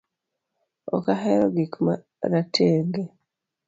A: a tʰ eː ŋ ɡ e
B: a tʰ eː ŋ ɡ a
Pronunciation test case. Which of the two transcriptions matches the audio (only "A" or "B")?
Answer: A